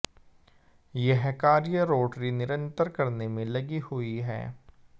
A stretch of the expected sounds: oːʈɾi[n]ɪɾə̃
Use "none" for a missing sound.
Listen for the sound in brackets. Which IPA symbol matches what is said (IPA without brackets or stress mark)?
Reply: n